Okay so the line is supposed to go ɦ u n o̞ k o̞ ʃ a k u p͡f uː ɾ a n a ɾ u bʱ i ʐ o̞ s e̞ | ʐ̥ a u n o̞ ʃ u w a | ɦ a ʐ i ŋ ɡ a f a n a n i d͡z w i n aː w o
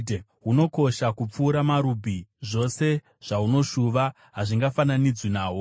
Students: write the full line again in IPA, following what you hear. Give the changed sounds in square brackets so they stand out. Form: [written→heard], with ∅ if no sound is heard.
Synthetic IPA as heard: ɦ u n o̞ k o̞ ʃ a k u p͡f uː ɾ a [n→m] a ɾ u bʱ i ʐ o̞ s e̞ | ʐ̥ a u n o̞ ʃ u [w→ʋ] a | ɦ a ʐ i ŋ ɡ a f a n a n i d͡z w i n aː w o